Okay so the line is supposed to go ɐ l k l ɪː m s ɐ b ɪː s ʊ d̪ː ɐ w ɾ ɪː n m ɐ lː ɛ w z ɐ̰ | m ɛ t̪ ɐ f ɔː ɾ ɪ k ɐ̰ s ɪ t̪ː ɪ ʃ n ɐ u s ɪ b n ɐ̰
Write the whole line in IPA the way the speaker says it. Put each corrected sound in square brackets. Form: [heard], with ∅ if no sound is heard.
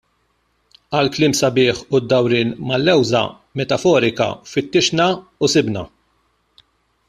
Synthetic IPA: ɐ l k l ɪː m s ɐ b ɪː [ħ] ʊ d̪ː ɐ w ɾ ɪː n m ɐ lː ɛ w z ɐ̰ | m ɛ t̪ ɐ f ɔː ɾ ɪ k ɐ̰ [f] ɪ t̪ː ɪ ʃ n ɐ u s ɪ b n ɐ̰